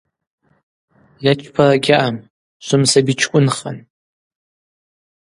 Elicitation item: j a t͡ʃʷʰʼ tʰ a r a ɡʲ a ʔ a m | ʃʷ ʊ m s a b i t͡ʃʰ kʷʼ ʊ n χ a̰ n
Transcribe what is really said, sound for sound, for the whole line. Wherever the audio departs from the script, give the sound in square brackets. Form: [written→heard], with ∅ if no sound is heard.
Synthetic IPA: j a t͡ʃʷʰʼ [tʰ→pʰ] a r a ɡʲ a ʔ a m | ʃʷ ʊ m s a b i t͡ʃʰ kʷʼ ʊ n χ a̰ n